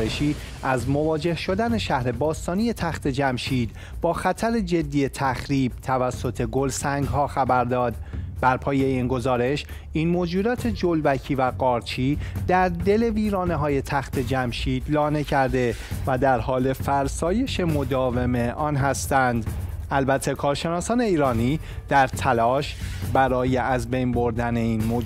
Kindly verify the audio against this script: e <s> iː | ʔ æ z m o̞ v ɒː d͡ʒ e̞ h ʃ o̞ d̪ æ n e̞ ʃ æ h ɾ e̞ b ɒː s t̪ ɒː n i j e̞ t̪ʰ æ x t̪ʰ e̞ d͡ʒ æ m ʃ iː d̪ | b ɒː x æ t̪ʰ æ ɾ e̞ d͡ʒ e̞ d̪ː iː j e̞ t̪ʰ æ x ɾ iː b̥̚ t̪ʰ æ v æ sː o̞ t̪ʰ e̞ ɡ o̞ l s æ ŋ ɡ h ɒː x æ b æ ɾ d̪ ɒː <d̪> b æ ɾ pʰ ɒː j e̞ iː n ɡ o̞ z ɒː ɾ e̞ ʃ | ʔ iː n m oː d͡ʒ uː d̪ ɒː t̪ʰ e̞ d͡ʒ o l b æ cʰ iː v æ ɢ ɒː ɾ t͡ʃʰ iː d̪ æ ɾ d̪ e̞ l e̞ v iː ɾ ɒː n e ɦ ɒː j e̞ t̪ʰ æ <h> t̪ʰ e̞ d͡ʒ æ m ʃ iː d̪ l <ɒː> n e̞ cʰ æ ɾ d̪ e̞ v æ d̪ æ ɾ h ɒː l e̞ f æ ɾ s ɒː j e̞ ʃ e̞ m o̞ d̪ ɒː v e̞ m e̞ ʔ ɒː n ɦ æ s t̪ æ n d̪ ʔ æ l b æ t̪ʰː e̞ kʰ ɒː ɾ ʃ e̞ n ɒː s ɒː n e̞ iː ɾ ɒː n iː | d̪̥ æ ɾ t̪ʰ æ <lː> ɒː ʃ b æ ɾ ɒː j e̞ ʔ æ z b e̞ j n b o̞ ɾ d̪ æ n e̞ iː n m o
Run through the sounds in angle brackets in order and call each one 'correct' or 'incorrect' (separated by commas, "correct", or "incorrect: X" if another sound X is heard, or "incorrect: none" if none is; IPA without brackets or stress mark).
incorrect: ʃ, correct, incorrect: x, correct, incorrect: l